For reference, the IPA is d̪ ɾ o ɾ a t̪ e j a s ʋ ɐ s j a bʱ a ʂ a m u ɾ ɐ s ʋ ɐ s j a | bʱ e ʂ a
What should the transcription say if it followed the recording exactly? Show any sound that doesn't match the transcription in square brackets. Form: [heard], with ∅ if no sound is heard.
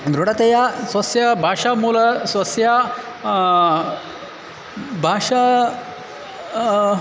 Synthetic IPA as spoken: d̪ ɾ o [ɽ] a t̪ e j a s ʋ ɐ s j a bʱ a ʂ a m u [l] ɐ s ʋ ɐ s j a | bʱ [a] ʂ a